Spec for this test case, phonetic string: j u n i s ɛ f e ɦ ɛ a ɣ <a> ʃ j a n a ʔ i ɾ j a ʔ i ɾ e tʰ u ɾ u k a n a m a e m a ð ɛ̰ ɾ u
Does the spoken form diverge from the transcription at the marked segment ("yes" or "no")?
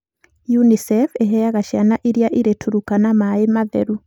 no